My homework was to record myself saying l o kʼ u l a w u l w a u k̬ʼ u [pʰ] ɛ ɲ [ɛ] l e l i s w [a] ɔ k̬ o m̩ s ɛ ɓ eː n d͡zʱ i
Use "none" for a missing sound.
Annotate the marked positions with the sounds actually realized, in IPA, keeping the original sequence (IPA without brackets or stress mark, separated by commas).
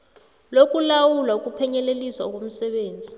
pʰ, ɛ, a